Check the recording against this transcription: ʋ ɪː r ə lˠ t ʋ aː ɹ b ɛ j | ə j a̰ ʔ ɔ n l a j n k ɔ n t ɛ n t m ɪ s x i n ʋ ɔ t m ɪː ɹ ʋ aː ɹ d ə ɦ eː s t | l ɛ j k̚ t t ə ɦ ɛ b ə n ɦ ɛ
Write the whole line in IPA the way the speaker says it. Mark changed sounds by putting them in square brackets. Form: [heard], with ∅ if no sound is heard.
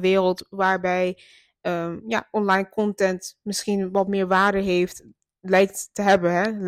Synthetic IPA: ʋ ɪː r ə lˠ t ʋ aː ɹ b ɛ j | ə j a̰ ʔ ɔ n l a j n k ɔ n t ɛ n t m ɪ s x i n ʋ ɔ t m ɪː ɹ ʋ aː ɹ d ə ɦ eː [f] t | l ɛ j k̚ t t ə ɦ ɛ b ə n ɦ ɛ